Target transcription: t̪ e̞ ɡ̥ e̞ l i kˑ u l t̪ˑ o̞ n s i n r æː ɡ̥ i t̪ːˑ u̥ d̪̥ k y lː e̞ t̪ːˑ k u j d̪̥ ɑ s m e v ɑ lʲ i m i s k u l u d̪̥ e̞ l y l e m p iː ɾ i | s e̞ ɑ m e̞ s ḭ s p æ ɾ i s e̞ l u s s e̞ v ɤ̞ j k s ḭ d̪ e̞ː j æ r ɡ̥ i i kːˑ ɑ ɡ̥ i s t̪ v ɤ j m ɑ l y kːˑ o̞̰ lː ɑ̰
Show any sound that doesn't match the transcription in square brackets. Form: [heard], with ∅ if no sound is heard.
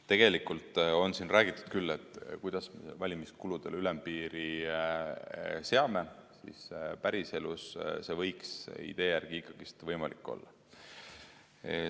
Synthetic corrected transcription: t̪ e̞ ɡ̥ e̞ l i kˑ u l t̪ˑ o̞ n s i n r æː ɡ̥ i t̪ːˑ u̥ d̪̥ k y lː e̞ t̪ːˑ k u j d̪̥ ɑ s m e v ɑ lʲ i m i s k u l u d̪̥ e̞ l y l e m p iː ɾ i | s e̞ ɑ m e̞ s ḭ s p æ ɾ i s e̞ l u s s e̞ v ɤ̞ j k s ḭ d̪ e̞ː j æ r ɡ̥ i i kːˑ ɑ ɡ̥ i s t̪ v ɤ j m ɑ l [i] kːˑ o̞̰ lː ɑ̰